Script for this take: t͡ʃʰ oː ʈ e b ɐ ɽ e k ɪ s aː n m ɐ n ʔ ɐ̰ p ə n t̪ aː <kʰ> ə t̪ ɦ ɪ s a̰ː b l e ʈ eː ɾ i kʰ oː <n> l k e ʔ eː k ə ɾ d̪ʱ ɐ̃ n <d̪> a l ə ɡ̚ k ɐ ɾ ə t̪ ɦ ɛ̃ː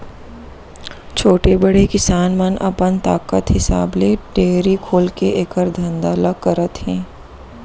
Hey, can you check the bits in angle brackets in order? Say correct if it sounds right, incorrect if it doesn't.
incorrect, incorrect, correct

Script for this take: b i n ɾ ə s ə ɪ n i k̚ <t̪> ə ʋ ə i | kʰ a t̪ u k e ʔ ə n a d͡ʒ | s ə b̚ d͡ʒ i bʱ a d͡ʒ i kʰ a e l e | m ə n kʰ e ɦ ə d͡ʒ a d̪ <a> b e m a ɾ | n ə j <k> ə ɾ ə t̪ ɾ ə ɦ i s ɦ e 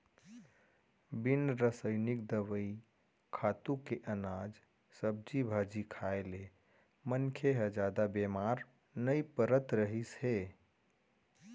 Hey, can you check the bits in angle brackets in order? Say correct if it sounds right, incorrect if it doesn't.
incorrect, correct, incorrect

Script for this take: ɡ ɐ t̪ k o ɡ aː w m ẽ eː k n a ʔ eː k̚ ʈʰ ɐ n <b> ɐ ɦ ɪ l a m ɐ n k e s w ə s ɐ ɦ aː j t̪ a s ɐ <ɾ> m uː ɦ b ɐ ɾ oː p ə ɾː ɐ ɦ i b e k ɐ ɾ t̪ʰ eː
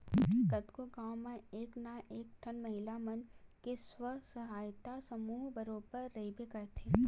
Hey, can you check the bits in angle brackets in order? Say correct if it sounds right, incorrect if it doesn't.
incorrect, incorrect

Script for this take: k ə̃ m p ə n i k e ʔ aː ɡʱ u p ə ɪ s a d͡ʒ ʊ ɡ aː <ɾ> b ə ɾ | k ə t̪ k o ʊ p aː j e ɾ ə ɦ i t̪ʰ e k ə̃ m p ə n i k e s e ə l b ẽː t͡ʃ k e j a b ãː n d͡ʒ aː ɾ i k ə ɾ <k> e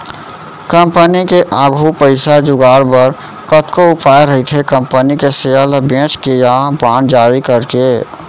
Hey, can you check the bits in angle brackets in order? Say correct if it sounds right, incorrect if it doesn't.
correct, correct

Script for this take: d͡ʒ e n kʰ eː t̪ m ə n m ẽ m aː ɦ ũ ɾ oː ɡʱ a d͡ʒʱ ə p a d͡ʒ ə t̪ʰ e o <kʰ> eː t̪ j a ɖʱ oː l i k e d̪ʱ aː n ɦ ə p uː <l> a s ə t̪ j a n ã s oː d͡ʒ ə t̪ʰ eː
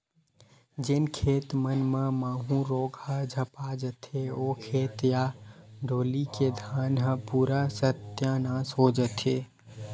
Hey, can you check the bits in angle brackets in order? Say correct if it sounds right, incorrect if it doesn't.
correct, incorrect

